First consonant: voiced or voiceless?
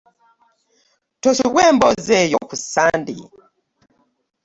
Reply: voiceless